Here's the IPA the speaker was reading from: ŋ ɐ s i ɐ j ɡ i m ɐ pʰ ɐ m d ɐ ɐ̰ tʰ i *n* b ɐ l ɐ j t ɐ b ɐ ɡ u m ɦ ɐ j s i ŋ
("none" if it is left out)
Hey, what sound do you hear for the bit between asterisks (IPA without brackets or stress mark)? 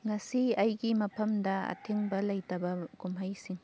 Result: ŋ